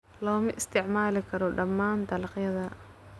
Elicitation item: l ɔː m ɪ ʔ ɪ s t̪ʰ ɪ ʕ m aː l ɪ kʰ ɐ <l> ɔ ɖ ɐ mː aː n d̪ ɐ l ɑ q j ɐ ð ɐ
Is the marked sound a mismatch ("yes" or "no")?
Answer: yes